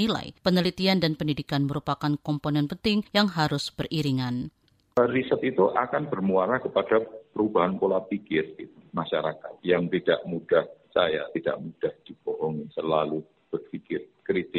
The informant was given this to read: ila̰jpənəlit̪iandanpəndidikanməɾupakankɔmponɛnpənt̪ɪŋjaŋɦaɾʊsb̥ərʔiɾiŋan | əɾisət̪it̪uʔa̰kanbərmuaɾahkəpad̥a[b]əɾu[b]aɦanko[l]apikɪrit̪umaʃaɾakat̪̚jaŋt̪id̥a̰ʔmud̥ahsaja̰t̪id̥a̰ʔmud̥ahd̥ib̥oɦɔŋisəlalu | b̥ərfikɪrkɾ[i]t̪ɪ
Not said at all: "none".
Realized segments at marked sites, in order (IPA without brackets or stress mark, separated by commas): p, b, l, i